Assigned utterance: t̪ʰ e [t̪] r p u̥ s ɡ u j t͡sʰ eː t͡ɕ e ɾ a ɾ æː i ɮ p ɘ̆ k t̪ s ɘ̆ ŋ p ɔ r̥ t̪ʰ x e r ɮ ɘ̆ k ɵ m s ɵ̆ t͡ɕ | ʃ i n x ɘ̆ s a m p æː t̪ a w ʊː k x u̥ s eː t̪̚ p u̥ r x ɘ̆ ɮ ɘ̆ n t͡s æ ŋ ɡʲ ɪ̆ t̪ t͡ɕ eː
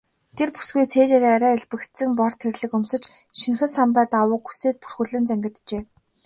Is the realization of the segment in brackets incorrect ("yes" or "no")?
yes